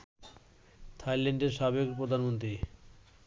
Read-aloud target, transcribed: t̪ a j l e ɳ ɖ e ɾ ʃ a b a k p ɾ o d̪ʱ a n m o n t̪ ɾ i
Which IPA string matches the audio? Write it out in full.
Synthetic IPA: t̪ʰ a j l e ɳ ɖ e ɾ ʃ a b e k p ɾ o d̪ʱ a n m o n t̪ ɾ i